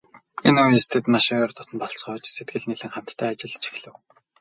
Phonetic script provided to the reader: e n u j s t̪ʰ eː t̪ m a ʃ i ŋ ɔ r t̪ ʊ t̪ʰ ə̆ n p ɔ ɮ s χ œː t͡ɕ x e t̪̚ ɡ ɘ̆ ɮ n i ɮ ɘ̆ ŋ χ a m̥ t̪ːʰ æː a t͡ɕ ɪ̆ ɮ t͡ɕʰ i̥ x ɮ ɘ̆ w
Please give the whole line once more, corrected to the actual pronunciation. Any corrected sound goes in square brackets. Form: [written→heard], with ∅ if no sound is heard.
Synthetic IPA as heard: e n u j s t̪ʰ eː t̪ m a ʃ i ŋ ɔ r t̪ ʊ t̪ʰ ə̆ n p ɔ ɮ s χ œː t͡ɕ [x→s] e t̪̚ ɡ ɘ̆ ɮ n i ɮ ɘ̆ ŋ χ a m̥ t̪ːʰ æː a t͡ɕ ɪ̆ ɮ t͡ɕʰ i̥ x ɮ ɘ̆ w